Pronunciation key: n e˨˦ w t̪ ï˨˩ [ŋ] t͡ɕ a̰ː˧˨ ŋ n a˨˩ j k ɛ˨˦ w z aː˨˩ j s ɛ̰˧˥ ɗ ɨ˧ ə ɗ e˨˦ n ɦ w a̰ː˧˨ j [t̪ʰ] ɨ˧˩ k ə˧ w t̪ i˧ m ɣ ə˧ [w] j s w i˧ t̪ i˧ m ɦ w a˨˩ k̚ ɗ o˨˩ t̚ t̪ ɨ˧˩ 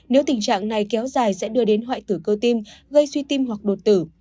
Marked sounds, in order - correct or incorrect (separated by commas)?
correct, incorrect, incorrect